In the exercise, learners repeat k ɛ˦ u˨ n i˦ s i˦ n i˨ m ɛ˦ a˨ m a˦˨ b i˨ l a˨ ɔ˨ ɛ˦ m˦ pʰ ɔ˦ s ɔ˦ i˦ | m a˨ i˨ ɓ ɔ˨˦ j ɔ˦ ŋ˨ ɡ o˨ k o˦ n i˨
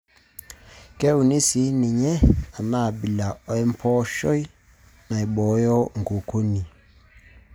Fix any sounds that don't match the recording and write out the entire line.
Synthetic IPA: k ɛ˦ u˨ n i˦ s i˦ n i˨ ɲ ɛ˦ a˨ m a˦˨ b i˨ l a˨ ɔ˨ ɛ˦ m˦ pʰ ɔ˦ ʃ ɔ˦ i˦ | n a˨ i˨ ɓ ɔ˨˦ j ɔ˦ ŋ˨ ɡ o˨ k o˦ n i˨